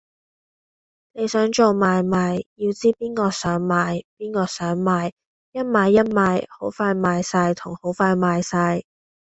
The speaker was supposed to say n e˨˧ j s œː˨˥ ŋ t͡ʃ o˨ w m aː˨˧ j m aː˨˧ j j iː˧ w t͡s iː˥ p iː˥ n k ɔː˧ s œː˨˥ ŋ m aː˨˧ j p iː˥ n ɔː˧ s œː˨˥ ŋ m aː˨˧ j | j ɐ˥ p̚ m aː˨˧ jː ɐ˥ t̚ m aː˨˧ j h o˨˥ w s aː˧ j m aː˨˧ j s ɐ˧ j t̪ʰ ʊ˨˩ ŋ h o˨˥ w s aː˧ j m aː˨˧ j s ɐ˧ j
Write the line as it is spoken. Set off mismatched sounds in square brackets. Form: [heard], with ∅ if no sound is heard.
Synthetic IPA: n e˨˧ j s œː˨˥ ŋ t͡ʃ o˨ w m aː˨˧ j m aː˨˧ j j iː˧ w t͡s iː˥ p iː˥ n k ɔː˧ s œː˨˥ ŋ m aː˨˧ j p iː˥ n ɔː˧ s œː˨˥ ŋ m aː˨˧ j | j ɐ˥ [t̚] m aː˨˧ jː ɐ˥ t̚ m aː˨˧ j h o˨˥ w [f] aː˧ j m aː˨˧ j s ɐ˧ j t̪ʰ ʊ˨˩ ŋ h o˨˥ w [f] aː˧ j m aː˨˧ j s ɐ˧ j